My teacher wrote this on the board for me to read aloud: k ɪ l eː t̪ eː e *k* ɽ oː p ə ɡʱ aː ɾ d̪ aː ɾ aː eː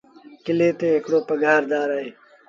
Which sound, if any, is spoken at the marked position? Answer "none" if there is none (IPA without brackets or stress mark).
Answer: k